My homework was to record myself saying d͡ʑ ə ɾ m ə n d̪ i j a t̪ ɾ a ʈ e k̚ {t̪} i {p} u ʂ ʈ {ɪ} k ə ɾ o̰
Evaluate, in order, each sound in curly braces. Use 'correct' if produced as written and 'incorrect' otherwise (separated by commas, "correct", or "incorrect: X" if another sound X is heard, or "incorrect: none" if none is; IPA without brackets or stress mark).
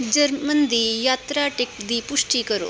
incorrect: d̪, correct, incorrect: i